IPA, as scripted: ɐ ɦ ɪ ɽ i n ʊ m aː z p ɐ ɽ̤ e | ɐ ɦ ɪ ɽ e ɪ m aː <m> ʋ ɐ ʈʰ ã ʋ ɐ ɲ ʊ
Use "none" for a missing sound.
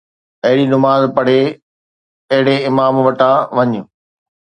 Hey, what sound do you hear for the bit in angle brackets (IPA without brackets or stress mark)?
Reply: m